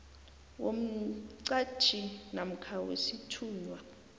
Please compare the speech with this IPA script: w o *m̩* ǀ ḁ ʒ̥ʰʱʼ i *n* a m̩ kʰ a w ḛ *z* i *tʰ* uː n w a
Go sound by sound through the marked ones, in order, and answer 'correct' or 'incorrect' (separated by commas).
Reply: correct, correct, incorrect, correct